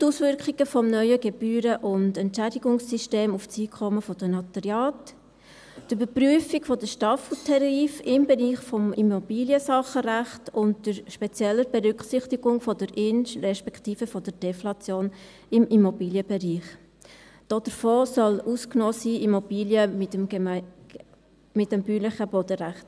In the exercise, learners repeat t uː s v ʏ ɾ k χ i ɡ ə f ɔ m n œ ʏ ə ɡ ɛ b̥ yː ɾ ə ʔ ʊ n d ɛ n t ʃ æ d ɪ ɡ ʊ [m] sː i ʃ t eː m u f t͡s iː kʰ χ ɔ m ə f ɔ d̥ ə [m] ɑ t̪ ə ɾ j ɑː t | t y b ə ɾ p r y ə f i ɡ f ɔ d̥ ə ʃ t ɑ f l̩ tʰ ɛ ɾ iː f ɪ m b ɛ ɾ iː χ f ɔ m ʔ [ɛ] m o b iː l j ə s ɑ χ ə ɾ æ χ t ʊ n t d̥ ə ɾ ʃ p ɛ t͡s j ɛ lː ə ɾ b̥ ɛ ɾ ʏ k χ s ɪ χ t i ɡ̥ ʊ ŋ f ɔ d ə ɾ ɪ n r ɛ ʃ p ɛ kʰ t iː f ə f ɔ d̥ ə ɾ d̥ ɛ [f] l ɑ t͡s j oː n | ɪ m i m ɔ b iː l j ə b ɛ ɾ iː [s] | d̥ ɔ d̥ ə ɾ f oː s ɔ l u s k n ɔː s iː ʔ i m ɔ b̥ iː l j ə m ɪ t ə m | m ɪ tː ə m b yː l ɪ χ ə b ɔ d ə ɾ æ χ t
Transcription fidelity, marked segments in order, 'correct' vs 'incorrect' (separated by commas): incorrect, incorrect, incorrect, correct, incorrect